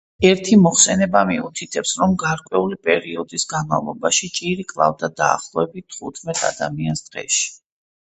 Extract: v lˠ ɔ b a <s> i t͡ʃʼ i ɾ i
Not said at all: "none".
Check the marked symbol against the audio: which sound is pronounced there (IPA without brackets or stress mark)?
ʃ